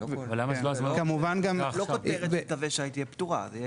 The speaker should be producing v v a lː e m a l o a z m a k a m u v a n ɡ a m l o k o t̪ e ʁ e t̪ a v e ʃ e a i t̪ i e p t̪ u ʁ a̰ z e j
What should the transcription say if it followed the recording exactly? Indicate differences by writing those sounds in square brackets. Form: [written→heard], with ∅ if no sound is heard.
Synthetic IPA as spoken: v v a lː [e→a] m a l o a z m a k a m u v a n ɡ a m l o k o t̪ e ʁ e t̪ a v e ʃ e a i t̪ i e p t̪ u ʁ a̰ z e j

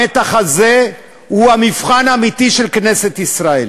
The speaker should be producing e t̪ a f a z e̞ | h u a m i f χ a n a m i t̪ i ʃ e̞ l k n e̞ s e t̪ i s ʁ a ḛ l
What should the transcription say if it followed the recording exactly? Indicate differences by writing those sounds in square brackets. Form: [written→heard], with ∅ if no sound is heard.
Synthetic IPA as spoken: e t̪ a [f→χ] a z e̞ | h u a m i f χ a n a m i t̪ i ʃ e̞ l k n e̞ s e t̪ i s ʁ a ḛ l

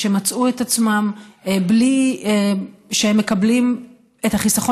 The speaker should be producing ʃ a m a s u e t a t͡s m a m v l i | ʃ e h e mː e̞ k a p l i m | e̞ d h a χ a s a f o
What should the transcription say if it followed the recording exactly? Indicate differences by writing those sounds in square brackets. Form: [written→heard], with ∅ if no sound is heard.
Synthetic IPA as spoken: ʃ [a→e] m a [s→t͡s] u e t a t͡s m a m [v→b] l i | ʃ e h e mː e̞ k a [p→b] l i m | e̞ [d→t] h a χ [a→i] s a [f→χ] o

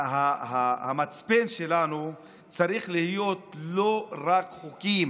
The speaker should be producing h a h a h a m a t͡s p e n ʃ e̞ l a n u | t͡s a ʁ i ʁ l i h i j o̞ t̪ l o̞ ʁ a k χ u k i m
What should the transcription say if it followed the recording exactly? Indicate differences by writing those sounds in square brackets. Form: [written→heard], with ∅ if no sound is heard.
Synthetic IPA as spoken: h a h a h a m a t͡s p e n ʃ e̞ l a n u | t͡s a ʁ i [ʁ→χ] l i h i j o̞ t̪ l o̞ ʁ a k χ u k i m

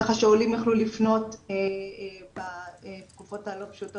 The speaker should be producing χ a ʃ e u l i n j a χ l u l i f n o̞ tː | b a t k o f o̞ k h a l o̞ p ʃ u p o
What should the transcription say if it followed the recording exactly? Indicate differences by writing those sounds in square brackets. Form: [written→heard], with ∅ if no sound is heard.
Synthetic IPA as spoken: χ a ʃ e u l i [n→m] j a χ l u l i f n o̞ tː | b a t k [o→u] f o̞ [k→t] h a l o̞ p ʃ u [p→t] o

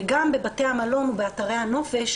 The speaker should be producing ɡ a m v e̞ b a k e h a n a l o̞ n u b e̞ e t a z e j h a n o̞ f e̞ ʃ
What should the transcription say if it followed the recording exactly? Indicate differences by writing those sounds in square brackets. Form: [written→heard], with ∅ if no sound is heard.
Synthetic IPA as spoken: ɡ a m [v→b] e̞ b a [k→t] e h a [n→m] a l o̞ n u b e̞ [e→a] t a [z→ʁ] e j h a n o̞ f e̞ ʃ

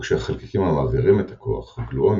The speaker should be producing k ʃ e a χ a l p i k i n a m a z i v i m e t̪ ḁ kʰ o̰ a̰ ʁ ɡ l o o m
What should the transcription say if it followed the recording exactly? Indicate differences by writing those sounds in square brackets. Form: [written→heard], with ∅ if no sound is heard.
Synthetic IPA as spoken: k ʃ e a χ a l [p→k] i k i [n→m] a m a z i [v→ʁ] i m e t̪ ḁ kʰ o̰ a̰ [ʁ→χ] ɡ l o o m

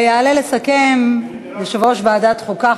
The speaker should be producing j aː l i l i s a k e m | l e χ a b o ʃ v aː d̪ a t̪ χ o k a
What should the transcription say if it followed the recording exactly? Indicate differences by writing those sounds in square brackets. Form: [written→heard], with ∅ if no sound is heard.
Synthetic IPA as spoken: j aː l [i→e] l [i→e] s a k e m | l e [χ→ʃ] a [b→v] o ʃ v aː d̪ a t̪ χ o k a

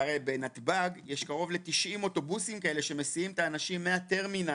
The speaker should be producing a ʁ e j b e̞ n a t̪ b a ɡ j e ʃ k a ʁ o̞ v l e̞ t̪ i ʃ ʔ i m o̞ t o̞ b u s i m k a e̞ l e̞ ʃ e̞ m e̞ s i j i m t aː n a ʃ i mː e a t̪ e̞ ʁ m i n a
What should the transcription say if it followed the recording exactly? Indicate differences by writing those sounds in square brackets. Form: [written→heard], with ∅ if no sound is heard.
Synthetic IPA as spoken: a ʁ e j b e̞ n a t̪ b a ɡ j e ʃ k a ʁ o̞ v l e̞ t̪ i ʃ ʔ i m o̞ t o̞ b u s i m k a e̞ l e̞ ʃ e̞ m e̞ s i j i m t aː n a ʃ i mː e a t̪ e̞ ʁ m i n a

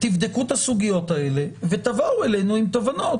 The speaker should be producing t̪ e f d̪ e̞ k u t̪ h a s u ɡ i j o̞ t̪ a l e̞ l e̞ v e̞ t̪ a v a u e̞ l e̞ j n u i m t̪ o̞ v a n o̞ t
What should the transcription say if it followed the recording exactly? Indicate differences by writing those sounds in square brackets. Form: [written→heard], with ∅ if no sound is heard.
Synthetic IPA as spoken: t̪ [e→i] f d̪ e̞ k u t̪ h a s u ɡ i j o̞ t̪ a [l→∅] e̞ l e̞ v e̞ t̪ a v a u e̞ l e̞ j n u i m t̪ o̞ v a n o̞ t

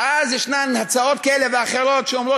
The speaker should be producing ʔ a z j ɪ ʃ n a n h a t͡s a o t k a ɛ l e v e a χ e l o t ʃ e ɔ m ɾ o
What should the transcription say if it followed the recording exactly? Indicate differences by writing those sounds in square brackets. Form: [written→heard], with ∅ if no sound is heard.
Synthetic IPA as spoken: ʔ a z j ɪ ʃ n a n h a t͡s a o t k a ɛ l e v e a χ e [l→ɾ] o t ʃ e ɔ m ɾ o

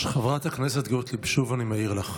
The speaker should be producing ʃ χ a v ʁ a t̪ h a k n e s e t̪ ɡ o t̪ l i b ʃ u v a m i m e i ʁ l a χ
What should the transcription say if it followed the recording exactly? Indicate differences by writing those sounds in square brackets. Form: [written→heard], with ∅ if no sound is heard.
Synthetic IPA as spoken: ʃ χ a v ʁ a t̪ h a k n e s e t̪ ɡ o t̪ l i b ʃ u v a [m→n] i m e i ʁ l a χ

